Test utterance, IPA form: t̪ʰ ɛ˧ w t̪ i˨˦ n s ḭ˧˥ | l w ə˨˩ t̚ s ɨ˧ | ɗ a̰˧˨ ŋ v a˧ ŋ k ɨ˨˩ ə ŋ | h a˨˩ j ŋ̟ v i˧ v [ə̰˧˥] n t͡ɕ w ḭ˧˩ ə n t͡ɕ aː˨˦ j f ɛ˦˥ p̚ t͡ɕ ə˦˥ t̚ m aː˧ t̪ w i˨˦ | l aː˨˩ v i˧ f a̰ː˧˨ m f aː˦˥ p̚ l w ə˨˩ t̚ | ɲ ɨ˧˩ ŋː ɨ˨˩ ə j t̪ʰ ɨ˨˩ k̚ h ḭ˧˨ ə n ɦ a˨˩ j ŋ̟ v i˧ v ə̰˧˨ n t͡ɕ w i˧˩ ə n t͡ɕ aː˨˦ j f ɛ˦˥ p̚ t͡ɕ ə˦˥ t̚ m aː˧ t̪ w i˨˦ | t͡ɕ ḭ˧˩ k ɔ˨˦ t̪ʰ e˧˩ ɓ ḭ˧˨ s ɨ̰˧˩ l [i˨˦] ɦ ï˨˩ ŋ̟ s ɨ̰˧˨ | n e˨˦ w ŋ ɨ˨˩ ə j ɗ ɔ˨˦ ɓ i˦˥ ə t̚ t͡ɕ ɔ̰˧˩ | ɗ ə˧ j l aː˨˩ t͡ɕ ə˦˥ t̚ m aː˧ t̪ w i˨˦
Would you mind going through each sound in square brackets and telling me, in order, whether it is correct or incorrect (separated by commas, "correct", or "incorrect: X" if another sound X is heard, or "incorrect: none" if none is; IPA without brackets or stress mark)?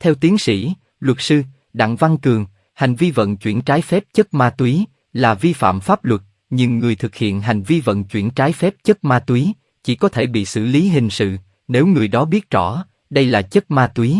incorrect: ə̰˧˨, correct